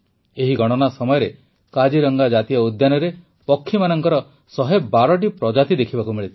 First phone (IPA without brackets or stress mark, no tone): e